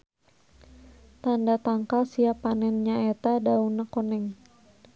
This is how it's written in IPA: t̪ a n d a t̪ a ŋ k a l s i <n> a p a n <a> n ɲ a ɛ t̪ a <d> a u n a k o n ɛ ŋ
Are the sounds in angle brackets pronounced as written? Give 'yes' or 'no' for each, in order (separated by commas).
no, no, yes